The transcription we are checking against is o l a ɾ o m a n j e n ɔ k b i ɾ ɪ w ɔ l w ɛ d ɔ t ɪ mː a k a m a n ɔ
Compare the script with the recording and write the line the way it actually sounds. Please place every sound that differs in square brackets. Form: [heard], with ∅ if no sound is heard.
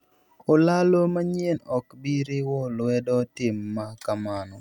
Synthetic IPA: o l a [l] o m a [ɲ] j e n ɔ k b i ɾ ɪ w ɔ l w ɛ d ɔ t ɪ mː a k a m a n ɔ